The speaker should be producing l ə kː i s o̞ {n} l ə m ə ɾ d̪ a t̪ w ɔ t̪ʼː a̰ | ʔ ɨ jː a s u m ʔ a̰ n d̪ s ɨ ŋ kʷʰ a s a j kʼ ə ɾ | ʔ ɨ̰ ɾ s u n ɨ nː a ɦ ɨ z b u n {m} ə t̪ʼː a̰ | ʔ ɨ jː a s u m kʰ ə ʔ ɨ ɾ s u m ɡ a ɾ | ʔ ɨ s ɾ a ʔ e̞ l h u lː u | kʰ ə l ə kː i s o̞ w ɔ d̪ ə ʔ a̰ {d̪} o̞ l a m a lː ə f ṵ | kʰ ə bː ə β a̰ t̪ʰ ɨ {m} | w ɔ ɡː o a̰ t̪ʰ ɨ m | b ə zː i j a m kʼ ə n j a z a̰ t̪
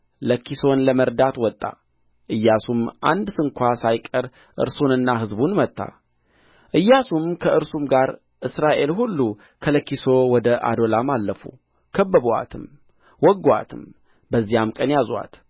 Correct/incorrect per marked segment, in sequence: correct, correct, correct, correct

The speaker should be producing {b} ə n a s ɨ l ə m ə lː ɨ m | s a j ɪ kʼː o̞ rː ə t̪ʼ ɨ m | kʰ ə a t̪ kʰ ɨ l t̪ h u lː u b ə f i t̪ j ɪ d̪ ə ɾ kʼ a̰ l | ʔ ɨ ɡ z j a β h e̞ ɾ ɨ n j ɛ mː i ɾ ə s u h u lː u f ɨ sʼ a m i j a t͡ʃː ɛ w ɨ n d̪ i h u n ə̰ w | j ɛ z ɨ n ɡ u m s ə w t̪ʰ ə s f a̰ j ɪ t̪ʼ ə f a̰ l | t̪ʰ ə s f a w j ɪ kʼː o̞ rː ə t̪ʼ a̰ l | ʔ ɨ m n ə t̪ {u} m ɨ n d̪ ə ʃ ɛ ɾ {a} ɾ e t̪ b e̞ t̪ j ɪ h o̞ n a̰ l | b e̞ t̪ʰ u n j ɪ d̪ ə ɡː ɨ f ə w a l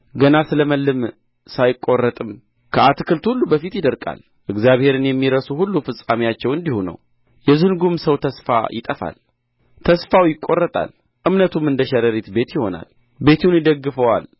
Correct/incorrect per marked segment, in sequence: incorrect, correct, incorrect

